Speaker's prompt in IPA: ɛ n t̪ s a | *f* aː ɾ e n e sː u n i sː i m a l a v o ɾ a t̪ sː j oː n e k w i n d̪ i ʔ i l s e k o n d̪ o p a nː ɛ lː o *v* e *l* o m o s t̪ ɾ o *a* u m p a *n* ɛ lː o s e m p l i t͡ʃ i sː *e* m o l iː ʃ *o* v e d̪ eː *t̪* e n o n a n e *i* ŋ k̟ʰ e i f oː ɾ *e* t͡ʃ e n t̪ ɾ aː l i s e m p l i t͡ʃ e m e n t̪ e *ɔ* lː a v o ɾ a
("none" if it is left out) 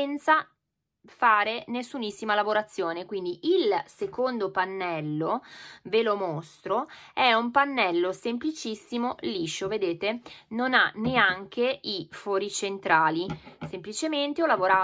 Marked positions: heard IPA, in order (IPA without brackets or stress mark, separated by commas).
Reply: f, v, l, ɛ, nː, i, o, t̪, a, i, ɔ